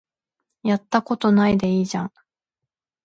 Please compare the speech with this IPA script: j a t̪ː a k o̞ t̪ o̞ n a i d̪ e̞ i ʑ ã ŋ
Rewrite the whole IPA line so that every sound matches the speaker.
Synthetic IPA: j a t̪ː a k o̞ t̪ o̞ n a i d̪ e̞ iː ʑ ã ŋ